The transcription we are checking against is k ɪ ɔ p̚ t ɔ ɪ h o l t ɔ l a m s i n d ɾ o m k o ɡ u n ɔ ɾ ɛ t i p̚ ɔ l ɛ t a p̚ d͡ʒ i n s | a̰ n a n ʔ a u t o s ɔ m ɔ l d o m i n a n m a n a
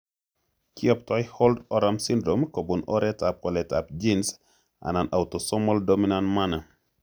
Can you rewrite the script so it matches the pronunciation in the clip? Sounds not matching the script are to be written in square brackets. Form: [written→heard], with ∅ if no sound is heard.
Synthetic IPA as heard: k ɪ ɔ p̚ t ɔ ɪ h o l [t→d] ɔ [l→ɾ] a m s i n d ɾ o m k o [ɡ→b] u n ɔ ɾ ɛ t [i→a] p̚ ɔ l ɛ t a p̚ d͡ʒ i n s | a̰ n a n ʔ a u t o s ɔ m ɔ l d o m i n a n m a n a

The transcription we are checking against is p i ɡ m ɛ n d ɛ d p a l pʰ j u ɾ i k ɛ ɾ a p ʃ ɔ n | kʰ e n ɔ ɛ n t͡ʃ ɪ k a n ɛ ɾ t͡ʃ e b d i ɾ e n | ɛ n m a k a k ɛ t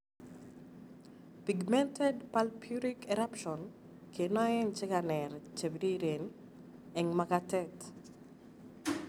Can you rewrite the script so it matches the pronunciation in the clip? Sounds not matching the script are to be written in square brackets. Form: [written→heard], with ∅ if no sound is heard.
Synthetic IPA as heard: p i ɡ m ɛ n [d→t] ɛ d p a l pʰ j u ɾ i k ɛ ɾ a p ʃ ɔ n | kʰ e n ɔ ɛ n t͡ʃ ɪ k a n ɛ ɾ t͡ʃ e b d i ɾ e n | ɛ [n→ŋ] m a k a [k→t] ɛ t

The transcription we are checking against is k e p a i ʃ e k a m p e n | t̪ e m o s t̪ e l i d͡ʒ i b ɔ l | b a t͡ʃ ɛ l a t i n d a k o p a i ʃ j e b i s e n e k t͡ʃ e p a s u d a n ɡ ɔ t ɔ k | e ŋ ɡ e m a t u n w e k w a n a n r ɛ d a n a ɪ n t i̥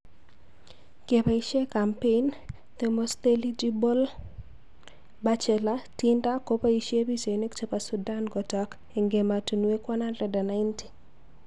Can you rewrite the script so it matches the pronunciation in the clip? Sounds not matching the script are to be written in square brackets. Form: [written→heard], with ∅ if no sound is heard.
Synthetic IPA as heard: k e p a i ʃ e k a m p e n | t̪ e m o s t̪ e l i d͡ʒ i b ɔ l | b a t͡ʃ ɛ l a t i n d a k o p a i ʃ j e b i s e n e k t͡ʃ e p a s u d a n ɡ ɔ t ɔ k | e ŋ ɡ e m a t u n w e k w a n a n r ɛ d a n a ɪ n t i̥

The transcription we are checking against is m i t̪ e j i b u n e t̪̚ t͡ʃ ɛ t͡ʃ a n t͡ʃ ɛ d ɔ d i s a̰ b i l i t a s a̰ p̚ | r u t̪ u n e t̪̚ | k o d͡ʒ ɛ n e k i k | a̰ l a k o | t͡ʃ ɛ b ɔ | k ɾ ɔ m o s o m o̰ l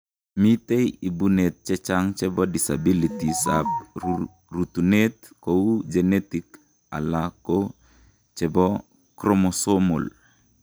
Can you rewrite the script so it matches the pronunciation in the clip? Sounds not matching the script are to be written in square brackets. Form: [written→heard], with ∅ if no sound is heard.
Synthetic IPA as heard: m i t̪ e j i b u n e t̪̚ t͡ʃ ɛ t͡ʃ a [n→ŋ] t͡ʃ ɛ [d→b] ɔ d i s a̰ b i l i t [a→i] s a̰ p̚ | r u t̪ u n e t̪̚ | k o d͡ʒ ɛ n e [k→t] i k | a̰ l a k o | t͡ʃ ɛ b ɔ | k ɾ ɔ m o s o m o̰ l

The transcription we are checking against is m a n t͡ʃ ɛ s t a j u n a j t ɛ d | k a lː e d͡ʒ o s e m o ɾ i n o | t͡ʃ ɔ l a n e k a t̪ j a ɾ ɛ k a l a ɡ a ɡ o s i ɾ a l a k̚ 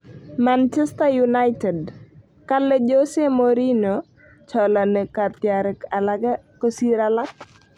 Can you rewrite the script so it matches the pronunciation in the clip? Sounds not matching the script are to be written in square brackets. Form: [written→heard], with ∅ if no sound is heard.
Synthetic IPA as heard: m a n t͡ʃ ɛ s t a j u n a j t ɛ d | k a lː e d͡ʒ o s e m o ɾ i n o | t͡ʃ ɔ l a n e k a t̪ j a ɾ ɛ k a l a ɡ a [ɡ→k] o s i ɾ a l a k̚

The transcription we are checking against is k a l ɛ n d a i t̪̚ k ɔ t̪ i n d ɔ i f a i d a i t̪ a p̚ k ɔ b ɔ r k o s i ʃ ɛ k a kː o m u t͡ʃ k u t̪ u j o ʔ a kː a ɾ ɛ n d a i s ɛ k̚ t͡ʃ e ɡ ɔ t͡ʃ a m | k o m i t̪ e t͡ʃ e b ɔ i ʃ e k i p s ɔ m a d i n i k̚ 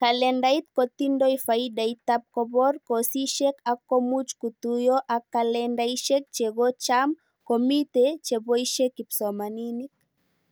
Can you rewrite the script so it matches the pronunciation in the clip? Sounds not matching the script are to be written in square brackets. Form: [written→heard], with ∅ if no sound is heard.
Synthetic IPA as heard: k a l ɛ n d a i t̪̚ k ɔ t̪ i n d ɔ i f a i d a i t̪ a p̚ k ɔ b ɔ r k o s i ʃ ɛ k a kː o m u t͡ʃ k u t̪ u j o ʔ a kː a [ɾ→l] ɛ n d a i [s→ʃ] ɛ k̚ t͡ʃ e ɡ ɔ t͡ʃ a m | k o m i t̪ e t͡ʃ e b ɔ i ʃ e k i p s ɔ m a [d→n] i n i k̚

